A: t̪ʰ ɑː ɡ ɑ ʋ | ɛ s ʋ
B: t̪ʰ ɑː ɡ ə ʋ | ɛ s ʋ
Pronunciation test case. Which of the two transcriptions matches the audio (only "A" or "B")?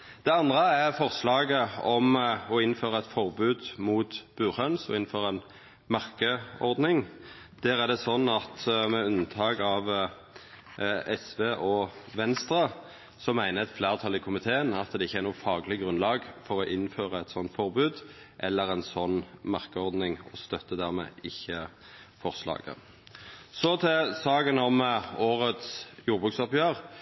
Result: A